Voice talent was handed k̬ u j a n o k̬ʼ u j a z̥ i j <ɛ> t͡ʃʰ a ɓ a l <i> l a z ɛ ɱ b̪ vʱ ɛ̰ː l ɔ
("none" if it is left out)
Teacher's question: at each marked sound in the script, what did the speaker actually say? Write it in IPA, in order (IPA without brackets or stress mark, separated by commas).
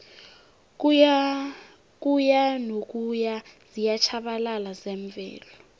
a, a